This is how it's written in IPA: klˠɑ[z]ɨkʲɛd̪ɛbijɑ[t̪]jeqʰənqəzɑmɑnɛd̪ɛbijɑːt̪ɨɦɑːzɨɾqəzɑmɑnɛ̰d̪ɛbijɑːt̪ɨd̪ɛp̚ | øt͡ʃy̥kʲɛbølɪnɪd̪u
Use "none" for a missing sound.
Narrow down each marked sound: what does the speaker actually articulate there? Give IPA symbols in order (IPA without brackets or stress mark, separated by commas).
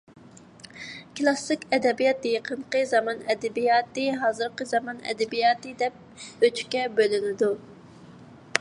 s, t̪